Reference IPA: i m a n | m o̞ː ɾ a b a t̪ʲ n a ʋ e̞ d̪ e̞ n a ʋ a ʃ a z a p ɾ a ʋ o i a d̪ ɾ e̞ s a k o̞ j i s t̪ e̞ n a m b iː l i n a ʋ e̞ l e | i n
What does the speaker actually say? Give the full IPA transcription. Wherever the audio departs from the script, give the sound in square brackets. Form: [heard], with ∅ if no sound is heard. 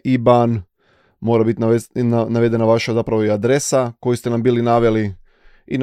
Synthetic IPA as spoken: i [b] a n | m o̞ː ɾ a b [i] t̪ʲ n a ʋ e̞ d̪ e̞ n a ʋ a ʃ a z a p ɾ a ʋ o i a d̪ ɾ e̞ s a k o̞ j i s t̪ e̞ n a m b iː l i n a ʋ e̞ l [i] | i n